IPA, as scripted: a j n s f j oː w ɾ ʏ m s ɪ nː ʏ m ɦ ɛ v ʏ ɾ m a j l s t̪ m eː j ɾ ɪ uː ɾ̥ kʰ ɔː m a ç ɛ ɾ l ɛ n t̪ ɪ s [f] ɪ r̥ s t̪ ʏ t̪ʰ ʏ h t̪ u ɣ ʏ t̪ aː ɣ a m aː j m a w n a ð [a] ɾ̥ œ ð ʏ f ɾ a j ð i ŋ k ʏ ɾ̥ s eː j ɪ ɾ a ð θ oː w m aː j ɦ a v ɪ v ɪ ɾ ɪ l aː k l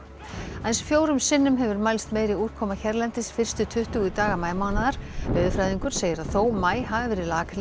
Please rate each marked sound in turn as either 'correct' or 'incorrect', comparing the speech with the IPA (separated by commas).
correct, correct